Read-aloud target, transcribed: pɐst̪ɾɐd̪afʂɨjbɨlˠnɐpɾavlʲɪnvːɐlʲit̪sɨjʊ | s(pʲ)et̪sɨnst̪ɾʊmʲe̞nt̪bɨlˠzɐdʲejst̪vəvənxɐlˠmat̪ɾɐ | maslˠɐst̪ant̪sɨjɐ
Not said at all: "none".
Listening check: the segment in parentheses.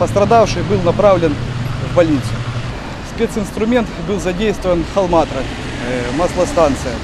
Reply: pʲ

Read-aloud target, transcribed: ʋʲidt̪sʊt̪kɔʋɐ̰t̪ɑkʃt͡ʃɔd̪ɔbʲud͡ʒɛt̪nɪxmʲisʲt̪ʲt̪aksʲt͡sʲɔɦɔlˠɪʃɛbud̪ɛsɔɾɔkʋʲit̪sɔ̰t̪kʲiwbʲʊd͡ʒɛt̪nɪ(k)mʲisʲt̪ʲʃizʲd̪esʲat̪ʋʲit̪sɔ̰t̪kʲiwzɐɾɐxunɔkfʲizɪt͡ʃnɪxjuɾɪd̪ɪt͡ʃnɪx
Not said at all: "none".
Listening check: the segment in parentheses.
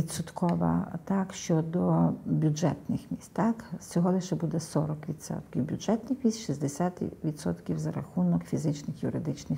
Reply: x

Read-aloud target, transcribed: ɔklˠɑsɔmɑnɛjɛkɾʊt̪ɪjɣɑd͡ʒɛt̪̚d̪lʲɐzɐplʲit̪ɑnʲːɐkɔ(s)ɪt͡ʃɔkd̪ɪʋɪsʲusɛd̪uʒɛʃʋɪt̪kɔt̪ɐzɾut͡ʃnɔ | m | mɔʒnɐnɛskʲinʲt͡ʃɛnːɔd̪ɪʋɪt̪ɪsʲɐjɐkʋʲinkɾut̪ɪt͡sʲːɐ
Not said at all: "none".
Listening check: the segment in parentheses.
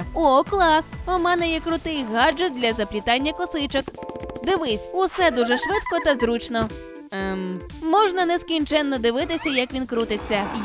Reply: s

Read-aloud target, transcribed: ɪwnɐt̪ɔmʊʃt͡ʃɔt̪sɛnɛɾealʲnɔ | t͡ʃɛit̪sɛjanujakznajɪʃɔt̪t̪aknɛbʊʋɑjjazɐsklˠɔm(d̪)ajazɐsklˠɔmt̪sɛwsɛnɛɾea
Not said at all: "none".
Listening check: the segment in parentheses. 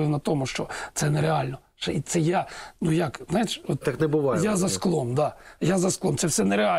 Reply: d̪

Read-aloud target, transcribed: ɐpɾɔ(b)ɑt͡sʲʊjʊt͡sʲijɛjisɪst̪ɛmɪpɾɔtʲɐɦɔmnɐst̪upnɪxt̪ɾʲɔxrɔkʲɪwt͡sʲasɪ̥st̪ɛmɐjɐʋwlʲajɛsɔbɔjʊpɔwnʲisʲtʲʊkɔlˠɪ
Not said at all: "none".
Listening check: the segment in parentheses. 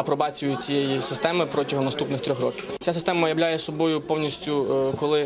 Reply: b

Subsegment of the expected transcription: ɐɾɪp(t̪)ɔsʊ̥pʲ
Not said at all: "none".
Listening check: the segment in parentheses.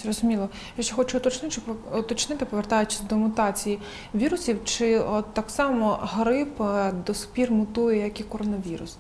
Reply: d̪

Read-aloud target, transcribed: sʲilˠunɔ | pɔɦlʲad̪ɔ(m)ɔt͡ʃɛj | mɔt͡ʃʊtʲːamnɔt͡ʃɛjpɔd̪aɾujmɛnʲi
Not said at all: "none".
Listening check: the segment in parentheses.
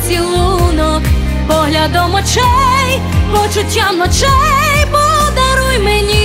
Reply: m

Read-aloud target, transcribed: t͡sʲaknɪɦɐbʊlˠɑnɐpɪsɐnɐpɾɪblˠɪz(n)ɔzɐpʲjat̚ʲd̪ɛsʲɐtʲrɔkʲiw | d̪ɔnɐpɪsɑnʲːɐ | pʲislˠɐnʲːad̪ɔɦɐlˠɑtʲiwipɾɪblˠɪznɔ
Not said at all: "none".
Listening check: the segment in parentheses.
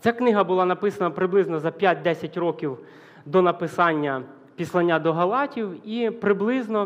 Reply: n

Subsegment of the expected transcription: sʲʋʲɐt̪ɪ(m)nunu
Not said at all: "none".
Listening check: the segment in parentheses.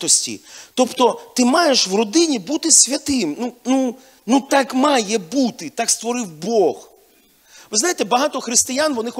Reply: m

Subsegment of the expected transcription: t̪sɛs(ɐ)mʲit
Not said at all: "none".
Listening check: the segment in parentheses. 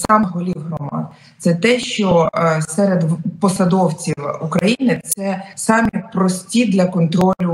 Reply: ɑ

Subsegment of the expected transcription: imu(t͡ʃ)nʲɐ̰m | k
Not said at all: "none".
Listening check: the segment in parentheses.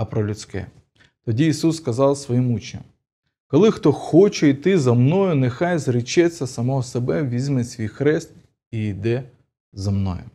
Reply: t͡ʃ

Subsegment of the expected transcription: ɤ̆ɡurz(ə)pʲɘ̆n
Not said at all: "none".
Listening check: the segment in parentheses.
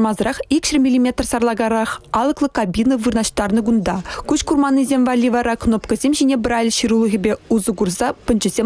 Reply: ɑ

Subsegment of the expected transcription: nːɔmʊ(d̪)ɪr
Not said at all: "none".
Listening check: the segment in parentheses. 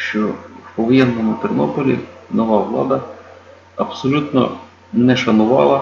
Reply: t̪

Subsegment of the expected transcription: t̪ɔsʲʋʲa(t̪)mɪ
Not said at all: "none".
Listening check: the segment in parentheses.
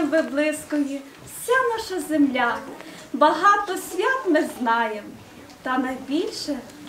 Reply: t̪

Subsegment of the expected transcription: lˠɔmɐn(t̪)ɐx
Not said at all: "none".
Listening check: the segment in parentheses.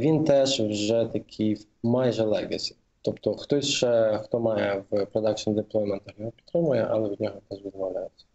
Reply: t̪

